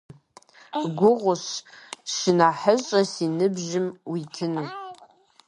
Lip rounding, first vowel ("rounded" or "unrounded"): rounded